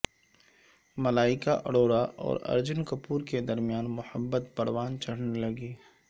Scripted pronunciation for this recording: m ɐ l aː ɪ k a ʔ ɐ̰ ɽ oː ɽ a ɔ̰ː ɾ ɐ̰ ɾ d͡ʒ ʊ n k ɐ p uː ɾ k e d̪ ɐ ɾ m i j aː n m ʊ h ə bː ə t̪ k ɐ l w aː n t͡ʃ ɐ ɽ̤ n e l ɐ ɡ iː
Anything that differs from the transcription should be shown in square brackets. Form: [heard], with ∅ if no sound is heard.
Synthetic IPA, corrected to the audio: m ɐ l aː ɪ k a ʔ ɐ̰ ɽ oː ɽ a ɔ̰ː ɾ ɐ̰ ɾ d͡ʒ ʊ n k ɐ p uː ɾ k e d̪ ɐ ɾ m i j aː n m ʊ h ə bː ə t̪ [p] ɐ [ɽ] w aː n t͡ʃ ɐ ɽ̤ n e l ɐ ɡ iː

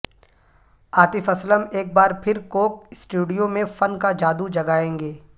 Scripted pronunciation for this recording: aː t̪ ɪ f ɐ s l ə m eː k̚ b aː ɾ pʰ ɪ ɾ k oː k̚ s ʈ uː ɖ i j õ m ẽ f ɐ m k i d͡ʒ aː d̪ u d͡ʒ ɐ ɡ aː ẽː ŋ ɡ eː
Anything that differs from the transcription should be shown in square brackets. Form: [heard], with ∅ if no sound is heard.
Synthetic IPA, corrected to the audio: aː t̪ ɪ f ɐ s l ə m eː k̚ b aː ɾ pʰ ɪ ɾ k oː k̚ s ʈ uː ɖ i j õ m ẽ f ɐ [n] k [a] d͡ʒ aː d̪ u d͡ʒ ɐ ɡ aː ẽː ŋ ɡ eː

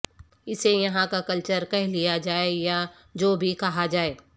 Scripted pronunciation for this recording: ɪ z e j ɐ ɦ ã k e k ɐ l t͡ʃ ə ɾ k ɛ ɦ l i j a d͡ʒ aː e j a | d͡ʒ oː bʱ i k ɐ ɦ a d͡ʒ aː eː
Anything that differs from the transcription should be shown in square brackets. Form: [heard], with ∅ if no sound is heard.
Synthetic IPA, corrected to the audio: ɪ [s] e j ɐ ɦ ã k [a] k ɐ l t͡ʃ ə ɾ k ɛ ɦ l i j a d͡ʒ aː e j a | d͡ʒ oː bʱ i k ɐ ɦ a d͡ʒ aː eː

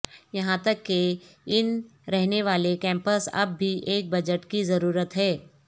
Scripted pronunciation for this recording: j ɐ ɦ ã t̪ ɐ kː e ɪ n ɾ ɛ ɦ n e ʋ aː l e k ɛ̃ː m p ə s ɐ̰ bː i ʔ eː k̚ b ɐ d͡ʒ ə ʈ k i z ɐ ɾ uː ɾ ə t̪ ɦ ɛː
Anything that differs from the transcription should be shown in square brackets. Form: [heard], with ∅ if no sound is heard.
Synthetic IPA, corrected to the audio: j ɐ ɦ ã t̪ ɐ kː e ɪ n ɾ ɛ ɦ n e ʋ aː l e k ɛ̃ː m p ə s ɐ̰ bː i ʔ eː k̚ b ɐ d͡ʒ ə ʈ k i z ɐ ɾ uː ɾ ə t̪ ɦ ɛː

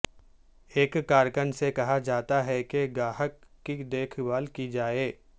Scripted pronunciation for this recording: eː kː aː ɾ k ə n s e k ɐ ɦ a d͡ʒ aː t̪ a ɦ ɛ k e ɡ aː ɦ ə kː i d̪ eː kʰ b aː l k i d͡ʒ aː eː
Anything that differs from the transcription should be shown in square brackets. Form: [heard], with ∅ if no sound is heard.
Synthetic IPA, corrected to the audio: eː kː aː ɾ k ə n s e k ɐ ɦ a d͡ʒ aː t̪ a ɦ ɛ k e ɡ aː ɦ ə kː i d̪ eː kʰ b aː l k i d͡ʒ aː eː

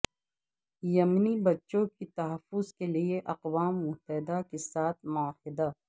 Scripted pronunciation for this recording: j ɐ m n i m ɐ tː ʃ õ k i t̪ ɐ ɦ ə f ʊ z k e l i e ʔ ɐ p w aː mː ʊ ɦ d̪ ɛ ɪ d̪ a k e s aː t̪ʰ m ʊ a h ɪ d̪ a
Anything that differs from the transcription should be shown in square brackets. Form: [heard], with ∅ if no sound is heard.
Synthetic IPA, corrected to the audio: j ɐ m n i [b] ɐ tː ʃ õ k i t̪ ɐ ɦ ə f ʊ z k e l i e ʔ ɐ [q] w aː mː ʊ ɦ [t̪] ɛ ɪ d̪ a k e s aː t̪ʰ m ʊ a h ɪ d̪ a

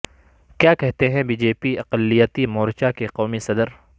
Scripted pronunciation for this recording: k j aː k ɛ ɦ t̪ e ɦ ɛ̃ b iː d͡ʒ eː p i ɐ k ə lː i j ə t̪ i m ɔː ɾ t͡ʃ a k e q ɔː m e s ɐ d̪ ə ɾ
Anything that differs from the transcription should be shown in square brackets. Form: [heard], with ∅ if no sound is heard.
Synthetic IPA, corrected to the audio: k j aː k ɛ ɦ t̪ e ɦ ɛ̃ b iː d͡ʒ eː p i ɐ [q] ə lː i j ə t̪ i m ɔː ɾ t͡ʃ a k e q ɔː m [i] s ɐ d̪ ə ɾ

